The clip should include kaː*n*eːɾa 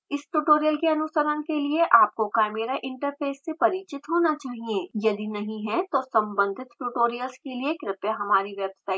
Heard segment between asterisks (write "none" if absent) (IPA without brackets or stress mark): m